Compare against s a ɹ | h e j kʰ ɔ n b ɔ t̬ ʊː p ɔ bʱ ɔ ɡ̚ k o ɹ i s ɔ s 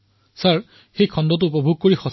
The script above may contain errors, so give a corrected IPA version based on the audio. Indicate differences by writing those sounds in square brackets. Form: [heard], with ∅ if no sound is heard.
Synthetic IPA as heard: s a ɹ | [x] e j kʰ ɔ n [d] ɔ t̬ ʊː p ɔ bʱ [u] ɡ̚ k o ɹ i [x] ɔ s